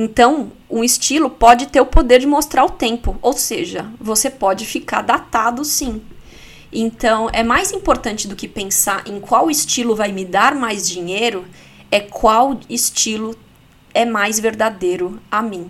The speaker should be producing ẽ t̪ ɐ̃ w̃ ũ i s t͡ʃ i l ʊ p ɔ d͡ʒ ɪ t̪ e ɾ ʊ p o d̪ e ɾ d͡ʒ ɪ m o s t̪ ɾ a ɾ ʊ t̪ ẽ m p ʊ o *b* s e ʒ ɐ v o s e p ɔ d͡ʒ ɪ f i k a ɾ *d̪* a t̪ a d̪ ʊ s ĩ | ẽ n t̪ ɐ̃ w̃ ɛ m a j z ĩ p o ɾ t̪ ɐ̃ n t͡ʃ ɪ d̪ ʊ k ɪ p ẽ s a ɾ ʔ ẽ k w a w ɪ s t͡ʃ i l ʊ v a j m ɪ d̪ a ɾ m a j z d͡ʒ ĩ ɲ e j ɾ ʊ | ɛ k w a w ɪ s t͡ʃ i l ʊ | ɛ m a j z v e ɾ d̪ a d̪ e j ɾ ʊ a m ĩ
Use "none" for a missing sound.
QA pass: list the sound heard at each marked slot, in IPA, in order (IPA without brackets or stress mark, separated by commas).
w, d̪